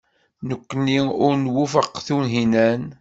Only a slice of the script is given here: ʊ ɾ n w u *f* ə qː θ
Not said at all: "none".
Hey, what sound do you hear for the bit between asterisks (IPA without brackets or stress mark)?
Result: f